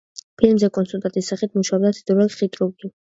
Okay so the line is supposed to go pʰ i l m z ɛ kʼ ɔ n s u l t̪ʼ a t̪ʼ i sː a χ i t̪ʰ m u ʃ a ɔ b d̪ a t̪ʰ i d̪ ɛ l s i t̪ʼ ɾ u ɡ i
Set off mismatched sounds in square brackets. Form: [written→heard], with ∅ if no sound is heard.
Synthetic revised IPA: pʰ i l m z ɛ kʼ ɔ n s u l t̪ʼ a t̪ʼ i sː a χ i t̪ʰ m u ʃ a ɔ b d̪ a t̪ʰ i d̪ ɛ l [s→χ] i t̪ʼ ɾ u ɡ i